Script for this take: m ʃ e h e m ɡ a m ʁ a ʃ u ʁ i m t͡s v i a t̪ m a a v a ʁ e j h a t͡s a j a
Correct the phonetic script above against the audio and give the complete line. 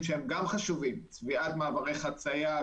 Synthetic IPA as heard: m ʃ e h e m ɡ a m χ a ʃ u v i m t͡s v i a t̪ m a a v a ʁ e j χ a t͡s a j a